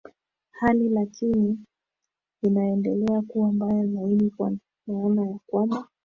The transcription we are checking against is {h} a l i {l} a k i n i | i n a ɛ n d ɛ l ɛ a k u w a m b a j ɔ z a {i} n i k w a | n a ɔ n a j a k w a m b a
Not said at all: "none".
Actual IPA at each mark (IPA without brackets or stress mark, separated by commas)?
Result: h, l, i